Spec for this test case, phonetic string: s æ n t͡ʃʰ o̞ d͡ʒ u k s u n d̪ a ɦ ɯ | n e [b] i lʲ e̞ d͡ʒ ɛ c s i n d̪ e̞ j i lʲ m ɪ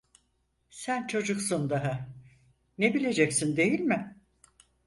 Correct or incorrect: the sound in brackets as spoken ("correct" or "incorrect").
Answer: correct